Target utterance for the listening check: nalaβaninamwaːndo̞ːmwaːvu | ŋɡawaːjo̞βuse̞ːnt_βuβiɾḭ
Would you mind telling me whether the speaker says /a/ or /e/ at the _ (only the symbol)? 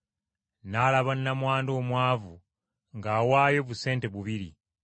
e